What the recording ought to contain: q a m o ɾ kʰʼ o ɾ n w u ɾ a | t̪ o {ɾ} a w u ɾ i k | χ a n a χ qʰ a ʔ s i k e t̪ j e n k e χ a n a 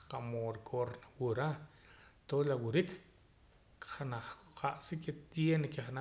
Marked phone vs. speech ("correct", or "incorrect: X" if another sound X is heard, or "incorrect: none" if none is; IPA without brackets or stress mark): incorrect: l